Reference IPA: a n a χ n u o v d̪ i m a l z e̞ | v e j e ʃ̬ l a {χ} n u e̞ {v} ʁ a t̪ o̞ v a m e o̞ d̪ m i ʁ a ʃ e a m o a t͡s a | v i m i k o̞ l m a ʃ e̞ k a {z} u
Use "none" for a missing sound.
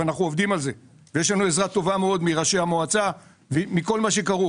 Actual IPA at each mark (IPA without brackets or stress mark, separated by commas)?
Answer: none, z, ʁ